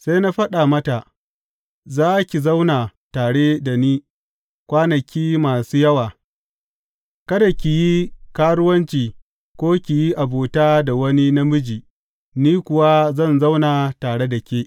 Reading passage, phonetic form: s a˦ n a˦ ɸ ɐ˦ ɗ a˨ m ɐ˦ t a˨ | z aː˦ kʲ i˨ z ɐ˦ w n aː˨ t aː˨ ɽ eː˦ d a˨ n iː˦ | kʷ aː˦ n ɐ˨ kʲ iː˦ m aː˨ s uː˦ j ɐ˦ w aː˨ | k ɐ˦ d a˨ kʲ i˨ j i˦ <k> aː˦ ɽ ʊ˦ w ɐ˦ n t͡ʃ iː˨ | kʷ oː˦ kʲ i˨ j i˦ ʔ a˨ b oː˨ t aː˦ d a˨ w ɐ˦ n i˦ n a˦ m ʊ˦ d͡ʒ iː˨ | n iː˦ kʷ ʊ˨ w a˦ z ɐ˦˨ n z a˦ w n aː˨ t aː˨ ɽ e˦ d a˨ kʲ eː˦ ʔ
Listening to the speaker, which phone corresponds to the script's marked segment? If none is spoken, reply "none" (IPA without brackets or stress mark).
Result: k